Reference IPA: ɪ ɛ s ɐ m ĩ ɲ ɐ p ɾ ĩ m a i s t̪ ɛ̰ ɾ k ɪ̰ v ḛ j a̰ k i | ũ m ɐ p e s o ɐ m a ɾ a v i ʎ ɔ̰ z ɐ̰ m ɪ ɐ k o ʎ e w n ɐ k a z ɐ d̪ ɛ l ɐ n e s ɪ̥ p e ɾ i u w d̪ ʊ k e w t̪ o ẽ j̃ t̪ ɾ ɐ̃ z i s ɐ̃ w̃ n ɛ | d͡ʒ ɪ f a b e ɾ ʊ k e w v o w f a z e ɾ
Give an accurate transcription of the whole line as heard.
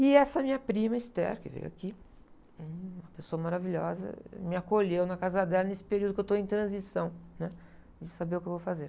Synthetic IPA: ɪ ɛ s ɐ m ĩ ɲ ɐ p ɾ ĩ m ɐ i s t̪ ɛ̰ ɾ k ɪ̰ v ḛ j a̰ k i | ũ m ɐ p e s o ɐ m a ɾ a v i ʎ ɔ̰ z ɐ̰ m ɪ a k o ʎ e w n ɐ k a z ɐ d̪ ɛ l ɐ n e s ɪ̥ p e ɾ i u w d̪ ʊ k e w t̪ o ẽ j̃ t̪ ɾ ɐ̃ z i s ɐ̃ w̃ n ɛ | d͡ʒ ɪ s a b e ɾ ʊ k e w v o w f a z e ɾ